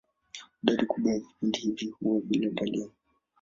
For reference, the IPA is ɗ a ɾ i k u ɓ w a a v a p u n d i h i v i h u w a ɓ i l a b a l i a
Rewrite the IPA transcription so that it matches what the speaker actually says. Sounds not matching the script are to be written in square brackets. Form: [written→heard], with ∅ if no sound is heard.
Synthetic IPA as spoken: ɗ a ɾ i k u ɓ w a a v [a→i] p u n d i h i v i h u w a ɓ i l a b a l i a